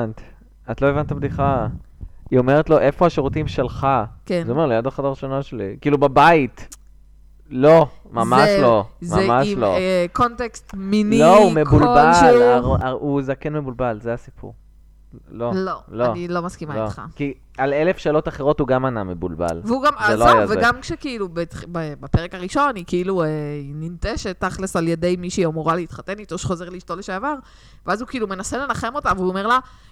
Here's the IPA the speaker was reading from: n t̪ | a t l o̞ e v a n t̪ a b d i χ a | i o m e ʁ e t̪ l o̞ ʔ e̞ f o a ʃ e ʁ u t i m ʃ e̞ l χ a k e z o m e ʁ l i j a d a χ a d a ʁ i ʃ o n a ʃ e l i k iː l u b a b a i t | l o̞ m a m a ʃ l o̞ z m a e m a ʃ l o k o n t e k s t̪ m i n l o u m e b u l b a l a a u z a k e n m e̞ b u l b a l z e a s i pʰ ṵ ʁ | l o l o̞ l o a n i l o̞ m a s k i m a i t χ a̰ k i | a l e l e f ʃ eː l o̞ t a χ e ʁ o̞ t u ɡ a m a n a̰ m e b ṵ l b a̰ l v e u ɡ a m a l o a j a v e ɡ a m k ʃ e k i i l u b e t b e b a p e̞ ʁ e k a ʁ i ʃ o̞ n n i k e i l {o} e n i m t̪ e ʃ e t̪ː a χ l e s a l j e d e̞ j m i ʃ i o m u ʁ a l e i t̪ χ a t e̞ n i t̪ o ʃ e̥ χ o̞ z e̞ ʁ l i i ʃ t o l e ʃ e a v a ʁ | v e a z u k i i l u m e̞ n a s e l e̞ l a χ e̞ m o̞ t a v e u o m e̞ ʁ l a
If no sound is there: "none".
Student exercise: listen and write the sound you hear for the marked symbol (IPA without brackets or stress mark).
u